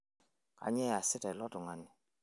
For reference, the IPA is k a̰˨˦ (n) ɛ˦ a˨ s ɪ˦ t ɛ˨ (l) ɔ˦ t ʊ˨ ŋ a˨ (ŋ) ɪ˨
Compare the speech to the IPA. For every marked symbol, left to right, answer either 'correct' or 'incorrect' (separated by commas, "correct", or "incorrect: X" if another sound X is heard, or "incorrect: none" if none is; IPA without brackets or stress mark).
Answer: incorrect: ɲ, correct, incorrect: n